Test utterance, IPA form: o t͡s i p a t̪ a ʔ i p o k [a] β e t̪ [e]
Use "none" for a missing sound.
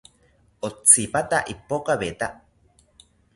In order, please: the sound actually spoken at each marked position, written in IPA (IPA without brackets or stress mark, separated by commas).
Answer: a, a